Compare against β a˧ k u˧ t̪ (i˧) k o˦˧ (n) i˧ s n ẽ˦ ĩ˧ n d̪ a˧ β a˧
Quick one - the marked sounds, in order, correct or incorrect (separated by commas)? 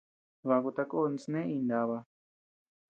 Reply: incorrect, correct